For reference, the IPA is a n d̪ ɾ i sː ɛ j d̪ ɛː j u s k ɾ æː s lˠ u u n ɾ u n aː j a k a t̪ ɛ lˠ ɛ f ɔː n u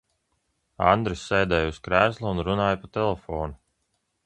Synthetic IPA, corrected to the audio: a n d̪ ɾ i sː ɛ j d̪ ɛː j u s k ɾ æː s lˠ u u n ɾ u n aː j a p a t̪ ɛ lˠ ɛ f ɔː n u